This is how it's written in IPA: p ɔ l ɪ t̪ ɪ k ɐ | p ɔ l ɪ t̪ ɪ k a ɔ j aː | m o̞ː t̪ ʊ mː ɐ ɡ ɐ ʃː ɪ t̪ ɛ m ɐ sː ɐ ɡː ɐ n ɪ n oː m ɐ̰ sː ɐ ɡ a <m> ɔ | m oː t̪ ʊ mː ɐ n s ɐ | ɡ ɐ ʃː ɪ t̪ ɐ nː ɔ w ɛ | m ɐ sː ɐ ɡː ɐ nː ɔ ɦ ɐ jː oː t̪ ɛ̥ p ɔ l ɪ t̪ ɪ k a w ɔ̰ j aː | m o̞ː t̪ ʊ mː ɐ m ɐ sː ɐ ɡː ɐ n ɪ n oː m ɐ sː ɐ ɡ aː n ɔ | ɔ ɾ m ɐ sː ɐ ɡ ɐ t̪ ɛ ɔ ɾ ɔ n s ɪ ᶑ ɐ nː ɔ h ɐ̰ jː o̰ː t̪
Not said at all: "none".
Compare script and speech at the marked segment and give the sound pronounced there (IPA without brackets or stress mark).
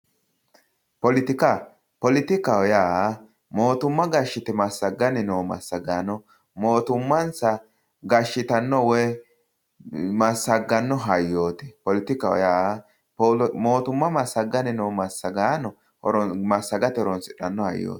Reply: n